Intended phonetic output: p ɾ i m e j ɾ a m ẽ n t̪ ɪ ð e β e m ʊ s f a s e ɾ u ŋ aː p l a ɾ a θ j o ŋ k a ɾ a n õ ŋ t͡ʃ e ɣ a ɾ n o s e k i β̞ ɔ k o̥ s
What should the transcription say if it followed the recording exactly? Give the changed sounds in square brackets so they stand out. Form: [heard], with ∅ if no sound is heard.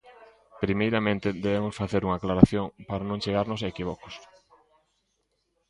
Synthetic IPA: p ɾ i m e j ɾ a m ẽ n t̪ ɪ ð e β e m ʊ s f a [θ] e ɾ u ŋ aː [k] l a ɾ a θ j o ŋ [p] a ɾ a n õ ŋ t͡ʃ e ɣ a ɾ n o s e k i β̞ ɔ k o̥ s